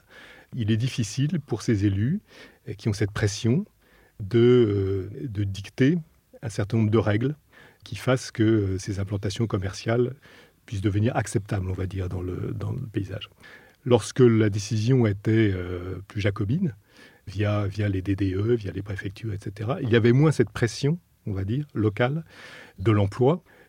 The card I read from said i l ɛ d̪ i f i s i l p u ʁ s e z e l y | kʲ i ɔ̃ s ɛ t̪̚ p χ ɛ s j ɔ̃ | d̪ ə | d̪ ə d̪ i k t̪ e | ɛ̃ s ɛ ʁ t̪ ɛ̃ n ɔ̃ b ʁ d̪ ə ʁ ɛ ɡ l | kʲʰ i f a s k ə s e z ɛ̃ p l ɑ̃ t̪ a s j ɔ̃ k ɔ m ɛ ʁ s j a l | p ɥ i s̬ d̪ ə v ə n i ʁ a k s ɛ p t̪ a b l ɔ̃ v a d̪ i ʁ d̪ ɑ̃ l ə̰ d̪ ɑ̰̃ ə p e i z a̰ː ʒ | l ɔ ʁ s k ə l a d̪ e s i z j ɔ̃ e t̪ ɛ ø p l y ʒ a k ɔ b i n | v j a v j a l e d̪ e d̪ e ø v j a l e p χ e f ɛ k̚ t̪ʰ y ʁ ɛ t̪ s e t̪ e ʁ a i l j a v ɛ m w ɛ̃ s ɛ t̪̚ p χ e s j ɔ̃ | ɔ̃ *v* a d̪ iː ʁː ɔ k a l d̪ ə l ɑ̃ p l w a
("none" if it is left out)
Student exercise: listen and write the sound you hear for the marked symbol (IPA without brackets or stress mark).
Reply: v